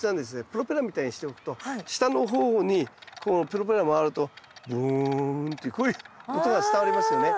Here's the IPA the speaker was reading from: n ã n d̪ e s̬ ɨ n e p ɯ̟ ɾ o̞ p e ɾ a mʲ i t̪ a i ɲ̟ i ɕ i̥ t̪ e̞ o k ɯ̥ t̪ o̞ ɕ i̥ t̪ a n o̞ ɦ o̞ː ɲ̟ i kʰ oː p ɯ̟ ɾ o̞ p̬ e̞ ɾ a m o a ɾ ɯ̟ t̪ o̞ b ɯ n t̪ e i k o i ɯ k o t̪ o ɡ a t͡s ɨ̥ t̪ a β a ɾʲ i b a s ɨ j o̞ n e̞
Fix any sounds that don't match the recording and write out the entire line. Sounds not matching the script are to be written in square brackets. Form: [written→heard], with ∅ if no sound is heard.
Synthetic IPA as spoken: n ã n d̪ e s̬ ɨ n e p ɯ̟ ɾ o̞ p e ɾ a mʲ i t̪ a i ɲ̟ i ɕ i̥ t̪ e̞ o k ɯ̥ t̪ o̞ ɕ i̥ t̪ a n o̞ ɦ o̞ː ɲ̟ i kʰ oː p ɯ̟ ɾ o̞ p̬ e̞ ɾ a m o a ɾ ɯ̟ t̪ o̞ b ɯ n t̪ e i k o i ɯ k o t̪ o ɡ a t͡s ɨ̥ t̪ a β a ɾʲ i [b→m] a s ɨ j o̞ n e̞